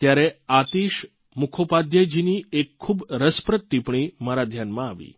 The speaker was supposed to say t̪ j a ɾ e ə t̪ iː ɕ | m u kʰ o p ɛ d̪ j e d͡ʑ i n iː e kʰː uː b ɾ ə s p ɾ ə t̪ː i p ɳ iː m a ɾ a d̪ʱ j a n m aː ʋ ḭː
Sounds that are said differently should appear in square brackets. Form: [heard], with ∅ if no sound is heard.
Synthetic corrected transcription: t̪ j a ɾ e [a] t̪ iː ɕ | m u kʰ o p [a] d̪ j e d͡ʑ i n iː e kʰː uː b ɾ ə s p ɾ ə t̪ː i p ɳ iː m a ɾ a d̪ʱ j a n m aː ʋ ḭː

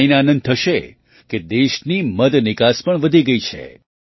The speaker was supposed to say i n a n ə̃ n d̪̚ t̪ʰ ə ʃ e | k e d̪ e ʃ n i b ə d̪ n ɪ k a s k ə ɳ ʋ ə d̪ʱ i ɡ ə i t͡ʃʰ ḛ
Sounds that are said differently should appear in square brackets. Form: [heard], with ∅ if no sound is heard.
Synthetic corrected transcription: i n a n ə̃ n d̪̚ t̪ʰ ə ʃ e | k e d̪ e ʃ n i [m] ə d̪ n ɪ k a s [p] ə ɳ ʋ ə d̪ʱ i ɡ ə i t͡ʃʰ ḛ

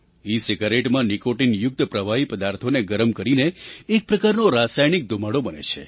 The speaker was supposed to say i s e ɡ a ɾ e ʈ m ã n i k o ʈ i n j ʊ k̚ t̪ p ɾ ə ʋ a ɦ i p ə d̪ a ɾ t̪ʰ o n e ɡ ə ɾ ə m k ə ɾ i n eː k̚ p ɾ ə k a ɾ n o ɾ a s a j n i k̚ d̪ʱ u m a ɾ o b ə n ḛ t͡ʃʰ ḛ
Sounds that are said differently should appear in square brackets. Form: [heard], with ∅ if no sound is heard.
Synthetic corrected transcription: i s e ɡ a ɾ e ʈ m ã n i k o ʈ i n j ʊ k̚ t̪ p ɾ ə ʋ a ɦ i p ə d̪ a ɾ t̪ʰ o n e ɡ ə ɾ ə m k ə ɾ i n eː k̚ p ɾ ə k a ɾ n o ɾ a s a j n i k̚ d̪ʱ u m a [ɽ] o b ə n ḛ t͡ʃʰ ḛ

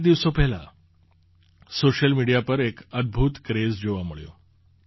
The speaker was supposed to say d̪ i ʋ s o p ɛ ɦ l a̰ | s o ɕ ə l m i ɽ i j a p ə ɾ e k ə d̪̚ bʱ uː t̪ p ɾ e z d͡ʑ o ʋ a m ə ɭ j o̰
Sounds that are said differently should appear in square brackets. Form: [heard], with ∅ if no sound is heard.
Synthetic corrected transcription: d̪ i ʋ s o p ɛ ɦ l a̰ | s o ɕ ə l m i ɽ i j a p ə ɾ e k ə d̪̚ bʱ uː t̪ [k] ɾ e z d͡ʑ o ʋ a m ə ɭ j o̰

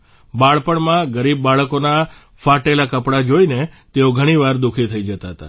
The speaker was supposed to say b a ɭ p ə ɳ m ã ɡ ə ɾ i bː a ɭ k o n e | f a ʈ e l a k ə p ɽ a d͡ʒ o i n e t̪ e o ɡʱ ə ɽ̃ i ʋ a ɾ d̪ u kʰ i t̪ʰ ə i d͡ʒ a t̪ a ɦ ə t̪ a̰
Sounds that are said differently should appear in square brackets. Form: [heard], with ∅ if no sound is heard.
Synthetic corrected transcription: b a ɭ p ə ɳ m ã ɡ ə ɾ i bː a ɭ k o n [a] | f a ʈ e l a k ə p ɽ a d͡ʒ o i n e t̪ e o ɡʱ ə ɽ̃ i ʋ a ɾ d̪ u kʰ i t̪ʰ ə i d͡ʒ [ə] t̪ a ɦ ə t̪ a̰

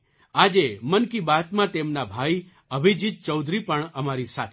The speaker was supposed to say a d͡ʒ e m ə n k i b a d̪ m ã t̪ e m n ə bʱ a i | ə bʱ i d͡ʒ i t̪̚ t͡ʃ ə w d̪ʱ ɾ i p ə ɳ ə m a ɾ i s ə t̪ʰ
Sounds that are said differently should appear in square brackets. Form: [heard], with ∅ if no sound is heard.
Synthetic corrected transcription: a d͡ʒ e m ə n k i b a [t̪] m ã t̪ e m n [a] bʱ a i | ə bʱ i d͡ʒ i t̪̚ t͡ʃ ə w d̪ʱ ɾ i p ə ɳ ə m a ɾ i s [a] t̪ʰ

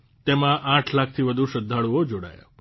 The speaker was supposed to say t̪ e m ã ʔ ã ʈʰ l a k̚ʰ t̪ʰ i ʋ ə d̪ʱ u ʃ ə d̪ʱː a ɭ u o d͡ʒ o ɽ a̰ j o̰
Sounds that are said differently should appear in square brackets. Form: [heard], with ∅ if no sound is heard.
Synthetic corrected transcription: t̪ e m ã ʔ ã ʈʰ l a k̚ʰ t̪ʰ i ʋ ə d̪ʱ u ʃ ə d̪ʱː a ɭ u o d͡ʒ o ɽ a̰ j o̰

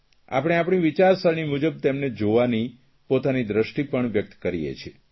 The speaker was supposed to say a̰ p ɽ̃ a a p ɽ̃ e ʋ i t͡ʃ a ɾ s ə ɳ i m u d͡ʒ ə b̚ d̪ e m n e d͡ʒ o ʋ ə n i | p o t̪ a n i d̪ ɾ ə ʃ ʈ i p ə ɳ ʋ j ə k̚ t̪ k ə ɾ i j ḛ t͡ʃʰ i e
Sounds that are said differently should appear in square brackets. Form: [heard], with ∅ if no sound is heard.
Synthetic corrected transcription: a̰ p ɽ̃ [e] a p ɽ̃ [i] ʋ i t͡ʃ a ɾ s ə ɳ i m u d͡ʒ ə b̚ [t̪] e m n e d͡ʒ o ʋ [a] n i | p o t̪ a n i d̪ ɾ ə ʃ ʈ i p ə ɳ ʋ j ə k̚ t̪ k ə ɾ i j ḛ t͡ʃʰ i e

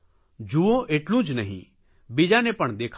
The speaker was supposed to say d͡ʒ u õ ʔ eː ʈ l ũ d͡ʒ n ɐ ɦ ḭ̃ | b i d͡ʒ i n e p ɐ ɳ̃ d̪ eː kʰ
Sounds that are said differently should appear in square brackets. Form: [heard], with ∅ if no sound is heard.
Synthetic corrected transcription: d͡ʒ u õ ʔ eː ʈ l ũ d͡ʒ n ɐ ɦ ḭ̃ | b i d͡ʒ [a] n e p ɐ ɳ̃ d̪ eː kʰ

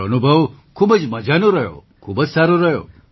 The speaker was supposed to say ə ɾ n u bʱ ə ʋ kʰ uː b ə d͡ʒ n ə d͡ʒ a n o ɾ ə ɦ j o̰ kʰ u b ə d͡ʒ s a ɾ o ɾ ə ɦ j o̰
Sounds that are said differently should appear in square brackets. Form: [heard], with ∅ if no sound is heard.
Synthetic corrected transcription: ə [∅] n u bʱ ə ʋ kʰ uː b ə d͡ʒ [m] ə d͡ʒ a n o ɾ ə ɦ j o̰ kʰ u b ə d͡ʒ s a ɾ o ɾ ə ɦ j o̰

